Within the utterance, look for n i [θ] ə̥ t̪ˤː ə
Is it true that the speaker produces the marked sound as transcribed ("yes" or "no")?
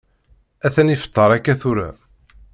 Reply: no